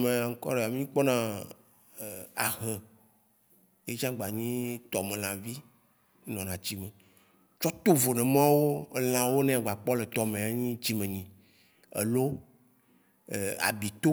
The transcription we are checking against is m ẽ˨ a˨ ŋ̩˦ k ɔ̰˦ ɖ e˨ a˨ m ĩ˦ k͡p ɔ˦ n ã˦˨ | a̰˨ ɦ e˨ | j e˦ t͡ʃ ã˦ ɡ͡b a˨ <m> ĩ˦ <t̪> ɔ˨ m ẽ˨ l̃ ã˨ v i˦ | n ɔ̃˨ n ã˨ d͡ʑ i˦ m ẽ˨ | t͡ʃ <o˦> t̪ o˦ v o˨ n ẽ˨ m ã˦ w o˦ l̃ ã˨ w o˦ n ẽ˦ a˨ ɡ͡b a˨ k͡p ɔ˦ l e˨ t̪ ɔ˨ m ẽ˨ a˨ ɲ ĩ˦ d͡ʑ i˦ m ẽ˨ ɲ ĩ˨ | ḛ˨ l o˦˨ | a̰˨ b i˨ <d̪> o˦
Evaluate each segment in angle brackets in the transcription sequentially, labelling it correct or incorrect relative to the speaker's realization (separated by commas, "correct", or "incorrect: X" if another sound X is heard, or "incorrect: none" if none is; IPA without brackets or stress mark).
incorrect: ɲ, correct, incorrect: ɔ˦, incorrect: t̪